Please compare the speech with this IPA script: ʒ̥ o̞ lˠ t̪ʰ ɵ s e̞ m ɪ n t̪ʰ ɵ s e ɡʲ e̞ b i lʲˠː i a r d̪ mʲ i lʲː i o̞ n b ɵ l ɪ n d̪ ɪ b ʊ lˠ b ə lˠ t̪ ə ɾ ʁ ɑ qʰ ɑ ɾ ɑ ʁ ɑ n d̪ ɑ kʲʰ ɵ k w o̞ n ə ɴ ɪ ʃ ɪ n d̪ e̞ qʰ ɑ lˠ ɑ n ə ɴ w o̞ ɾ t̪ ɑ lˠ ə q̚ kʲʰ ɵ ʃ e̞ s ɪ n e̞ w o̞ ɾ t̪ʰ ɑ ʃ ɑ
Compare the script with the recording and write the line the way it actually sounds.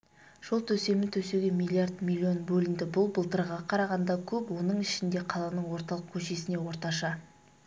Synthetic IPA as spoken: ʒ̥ o̞ lˠ t̪ʰ ɵ s e̞ m ɪ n t̪ʰ ɵ s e ɡʲ e̞ m i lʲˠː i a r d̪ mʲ i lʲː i o̞ n b ɵ l ɪ n d̪ ɪ b ʊ lˠ b ə lˠ t̪ ə ɾ ʁ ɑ qʰ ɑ ɾ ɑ ʁ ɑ n d̪ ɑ kʲʰ ɵ p w o̞ n ə ɴ ɪ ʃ ɪ n d̪ e̞ qʰ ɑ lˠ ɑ n ə ɴ w o̞ ɾ t̪ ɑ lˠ ə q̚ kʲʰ ɵ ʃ e̞ s ɪ n e̞ w o̞ ɾ t̪ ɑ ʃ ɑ